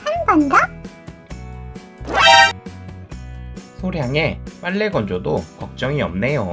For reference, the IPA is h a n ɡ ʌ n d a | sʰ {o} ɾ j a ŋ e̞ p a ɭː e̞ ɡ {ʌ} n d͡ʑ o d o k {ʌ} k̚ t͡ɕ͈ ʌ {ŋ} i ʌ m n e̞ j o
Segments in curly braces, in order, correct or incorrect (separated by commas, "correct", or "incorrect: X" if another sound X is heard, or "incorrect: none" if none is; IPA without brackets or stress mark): correct, correct, correct, correct